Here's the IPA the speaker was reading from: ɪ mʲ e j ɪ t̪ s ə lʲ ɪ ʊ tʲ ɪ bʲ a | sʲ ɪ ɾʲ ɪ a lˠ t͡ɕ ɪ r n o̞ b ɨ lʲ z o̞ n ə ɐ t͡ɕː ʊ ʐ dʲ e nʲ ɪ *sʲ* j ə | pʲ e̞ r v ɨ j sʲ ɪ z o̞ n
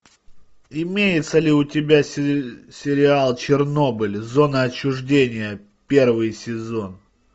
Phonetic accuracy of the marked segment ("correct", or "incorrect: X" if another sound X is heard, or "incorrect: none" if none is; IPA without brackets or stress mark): incorrect: none